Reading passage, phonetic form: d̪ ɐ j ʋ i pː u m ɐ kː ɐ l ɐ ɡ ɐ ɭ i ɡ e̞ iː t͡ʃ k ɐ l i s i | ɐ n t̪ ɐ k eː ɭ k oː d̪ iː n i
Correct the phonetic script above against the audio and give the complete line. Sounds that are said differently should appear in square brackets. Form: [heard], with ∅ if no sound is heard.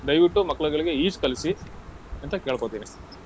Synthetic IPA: d̪ ɐ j ʋ i [ʈː] u m ɐ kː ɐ [ɭ] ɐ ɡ ɐ ɭ i ɡ e̞ iː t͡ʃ k ɐ l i s i | ɐ n t̪ ɐ k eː ɭ k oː [t̪] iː n i